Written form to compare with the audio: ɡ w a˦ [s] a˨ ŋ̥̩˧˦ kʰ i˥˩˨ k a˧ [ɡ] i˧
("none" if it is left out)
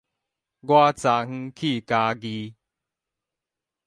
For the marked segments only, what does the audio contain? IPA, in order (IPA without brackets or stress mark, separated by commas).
t͡s, ɡ